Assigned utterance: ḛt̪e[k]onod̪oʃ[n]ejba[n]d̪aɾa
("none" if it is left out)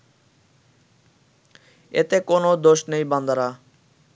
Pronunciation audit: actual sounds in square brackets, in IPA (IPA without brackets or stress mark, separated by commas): k, n, n